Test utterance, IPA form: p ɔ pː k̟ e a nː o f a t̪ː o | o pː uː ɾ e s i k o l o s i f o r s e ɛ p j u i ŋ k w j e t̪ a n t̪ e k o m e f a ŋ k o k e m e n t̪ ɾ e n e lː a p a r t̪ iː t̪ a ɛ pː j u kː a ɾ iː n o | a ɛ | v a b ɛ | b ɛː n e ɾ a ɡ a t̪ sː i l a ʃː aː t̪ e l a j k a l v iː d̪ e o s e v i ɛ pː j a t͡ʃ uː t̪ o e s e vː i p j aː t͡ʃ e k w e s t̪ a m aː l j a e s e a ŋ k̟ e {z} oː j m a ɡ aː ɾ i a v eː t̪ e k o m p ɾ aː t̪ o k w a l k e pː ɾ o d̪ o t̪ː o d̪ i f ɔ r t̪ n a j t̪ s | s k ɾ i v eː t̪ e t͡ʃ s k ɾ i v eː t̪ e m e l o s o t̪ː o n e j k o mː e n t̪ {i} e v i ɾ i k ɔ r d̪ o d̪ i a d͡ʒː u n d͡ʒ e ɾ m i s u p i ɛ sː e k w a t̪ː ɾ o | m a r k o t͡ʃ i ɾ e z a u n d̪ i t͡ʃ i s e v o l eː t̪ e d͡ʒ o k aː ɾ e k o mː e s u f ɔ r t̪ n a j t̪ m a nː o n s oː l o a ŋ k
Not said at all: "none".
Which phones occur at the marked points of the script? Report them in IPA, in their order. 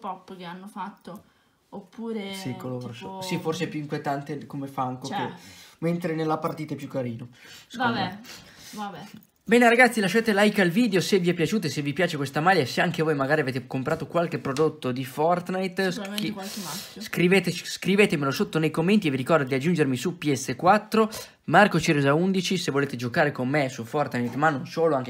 v, i

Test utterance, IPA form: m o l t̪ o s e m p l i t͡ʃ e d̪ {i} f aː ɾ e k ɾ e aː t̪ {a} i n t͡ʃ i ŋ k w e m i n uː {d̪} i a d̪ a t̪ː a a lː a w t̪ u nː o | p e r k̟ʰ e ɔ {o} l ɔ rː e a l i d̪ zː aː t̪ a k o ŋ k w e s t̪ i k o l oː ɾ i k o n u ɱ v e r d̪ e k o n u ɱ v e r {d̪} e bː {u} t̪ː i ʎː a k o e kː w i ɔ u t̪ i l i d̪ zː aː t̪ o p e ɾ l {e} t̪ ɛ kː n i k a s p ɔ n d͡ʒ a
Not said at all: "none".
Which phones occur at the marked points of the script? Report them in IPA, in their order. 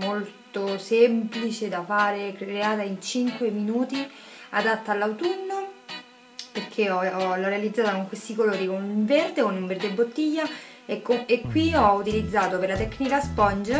a, a, t̪, ɔ, d̪, o, a

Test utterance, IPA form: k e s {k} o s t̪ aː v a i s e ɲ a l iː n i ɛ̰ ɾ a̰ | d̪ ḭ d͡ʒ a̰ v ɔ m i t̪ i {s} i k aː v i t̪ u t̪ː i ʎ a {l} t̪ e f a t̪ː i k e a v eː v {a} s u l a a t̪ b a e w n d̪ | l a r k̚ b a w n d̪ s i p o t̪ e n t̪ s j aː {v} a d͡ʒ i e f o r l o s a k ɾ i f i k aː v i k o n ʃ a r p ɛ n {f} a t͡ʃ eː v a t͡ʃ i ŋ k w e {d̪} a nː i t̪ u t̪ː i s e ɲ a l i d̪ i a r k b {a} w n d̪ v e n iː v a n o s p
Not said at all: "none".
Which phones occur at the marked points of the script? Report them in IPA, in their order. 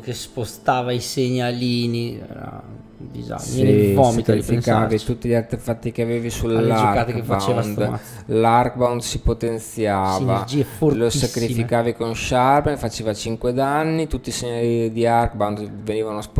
p, f, r, i, v, f, d̪, a

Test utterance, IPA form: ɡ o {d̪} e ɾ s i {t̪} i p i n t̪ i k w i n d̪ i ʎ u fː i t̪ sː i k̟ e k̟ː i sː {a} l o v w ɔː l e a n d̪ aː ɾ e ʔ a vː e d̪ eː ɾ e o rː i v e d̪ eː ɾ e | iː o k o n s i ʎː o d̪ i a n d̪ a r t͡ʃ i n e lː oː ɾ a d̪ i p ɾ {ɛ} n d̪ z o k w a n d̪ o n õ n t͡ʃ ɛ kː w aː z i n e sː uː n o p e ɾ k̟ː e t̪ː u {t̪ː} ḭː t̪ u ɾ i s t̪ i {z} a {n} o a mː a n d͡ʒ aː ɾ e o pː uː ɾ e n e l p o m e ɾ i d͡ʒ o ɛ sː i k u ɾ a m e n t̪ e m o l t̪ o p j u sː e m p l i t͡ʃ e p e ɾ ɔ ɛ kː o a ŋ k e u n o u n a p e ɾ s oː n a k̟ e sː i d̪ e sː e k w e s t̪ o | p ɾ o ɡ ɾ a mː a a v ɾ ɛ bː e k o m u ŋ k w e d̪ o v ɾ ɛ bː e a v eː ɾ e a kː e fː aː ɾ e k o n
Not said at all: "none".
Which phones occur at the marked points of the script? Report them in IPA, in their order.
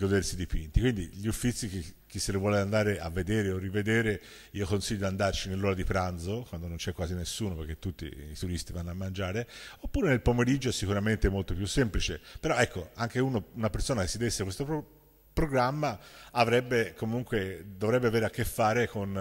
d̪, d̪, e, a, t̪ː, v, nː

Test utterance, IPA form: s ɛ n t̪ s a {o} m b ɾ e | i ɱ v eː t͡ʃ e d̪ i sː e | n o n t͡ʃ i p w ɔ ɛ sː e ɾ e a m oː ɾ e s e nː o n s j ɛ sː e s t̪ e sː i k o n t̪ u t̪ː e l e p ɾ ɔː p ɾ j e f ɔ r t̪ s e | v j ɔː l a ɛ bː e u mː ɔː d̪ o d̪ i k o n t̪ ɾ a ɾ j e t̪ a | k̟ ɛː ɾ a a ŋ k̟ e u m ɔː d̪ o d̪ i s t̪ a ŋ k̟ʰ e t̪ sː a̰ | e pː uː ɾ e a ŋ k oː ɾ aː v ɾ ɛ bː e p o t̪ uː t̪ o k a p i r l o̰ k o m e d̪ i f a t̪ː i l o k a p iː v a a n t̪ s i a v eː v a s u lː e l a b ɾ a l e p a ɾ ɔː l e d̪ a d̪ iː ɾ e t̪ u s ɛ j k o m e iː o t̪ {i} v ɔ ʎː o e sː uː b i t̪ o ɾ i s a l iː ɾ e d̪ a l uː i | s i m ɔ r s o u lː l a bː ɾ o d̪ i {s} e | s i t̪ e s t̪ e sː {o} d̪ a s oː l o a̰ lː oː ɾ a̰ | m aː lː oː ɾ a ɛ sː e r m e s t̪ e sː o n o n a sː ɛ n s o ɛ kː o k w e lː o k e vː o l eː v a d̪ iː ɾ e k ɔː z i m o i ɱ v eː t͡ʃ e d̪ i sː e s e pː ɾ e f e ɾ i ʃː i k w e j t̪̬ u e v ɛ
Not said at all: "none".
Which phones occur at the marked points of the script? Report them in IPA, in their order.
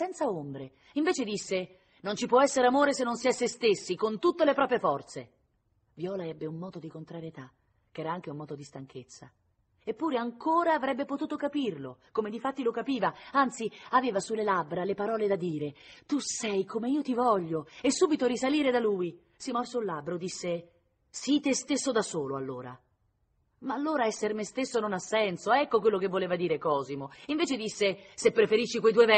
o, i, sː, o

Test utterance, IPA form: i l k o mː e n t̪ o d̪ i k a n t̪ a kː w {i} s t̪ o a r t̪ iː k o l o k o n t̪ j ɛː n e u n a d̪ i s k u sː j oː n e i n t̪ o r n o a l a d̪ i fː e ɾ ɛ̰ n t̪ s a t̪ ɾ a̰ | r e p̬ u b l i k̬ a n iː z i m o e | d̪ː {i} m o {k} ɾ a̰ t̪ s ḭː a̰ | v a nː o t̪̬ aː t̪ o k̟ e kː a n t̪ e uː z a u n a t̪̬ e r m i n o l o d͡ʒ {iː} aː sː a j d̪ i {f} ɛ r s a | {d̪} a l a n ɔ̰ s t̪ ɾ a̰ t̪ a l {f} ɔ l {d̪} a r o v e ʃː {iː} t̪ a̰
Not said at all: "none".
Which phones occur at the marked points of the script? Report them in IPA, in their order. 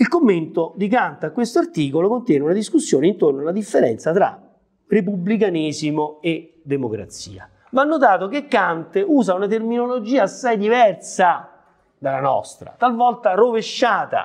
e, e, k, iː, v, d̪, v, t̪, aː

